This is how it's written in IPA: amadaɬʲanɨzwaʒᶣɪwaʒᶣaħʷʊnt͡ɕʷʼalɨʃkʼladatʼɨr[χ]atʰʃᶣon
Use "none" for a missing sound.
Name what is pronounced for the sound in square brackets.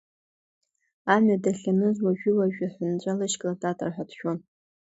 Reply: ħ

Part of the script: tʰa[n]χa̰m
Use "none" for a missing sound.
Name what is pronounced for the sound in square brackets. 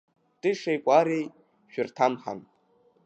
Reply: m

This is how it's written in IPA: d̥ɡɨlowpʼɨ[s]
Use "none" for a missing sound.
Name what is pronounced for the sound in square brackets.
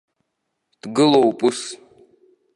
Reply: s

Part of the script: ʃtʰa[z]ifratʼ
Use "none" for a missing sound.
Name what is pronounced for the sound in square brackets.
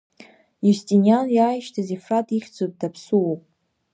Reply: z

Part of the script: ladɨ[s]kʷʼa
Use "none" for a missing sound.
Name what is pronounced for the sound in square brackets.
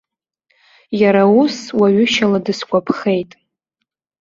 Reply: s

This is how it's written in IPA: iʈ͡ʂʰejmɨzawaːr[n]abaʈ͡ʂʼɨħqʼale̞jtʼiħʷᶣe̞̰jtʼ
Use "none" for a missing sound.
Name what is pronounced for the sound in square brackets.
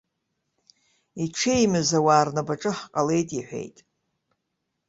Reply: n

